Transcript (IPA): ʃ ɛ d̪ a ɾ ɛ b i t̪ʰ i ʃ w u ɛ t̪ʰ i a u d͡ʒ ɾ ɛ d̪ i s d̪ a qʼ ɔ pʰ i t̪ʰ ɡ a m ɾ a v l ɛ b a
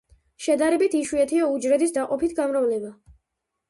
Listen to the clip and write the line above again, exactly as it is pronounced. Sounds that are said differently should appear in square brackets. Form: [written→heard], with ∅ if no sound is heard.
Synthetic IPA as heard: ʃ ɛ d̪ a ɾ ɛ b i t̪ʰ i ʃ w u ɛ t̪ʰ i a u d͡ʒ ɾ ɛ d̪ i s d̪ a qʼ ɔ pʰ i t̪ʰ ɡ a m ɾ a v l ɛ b a